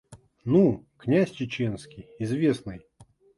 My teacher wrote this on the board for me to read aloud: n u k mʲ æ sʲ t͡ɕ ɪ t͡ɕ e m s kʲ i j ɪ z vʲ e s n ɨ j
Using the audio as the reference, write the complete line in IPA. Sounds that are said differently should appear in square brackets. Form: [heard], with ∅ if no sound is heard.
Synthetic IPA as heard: n u k [nʲ] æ sʲ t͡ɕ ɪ t͡ɕ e [n] s kʲ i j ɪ z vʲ e s n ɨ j